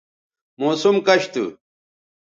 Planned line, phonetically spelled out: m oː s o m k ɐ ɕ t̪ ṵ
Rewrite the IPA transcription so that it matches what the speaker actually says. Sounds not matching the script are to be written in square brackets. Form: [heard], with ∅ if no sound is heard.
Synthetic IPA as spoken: m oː s [u] m k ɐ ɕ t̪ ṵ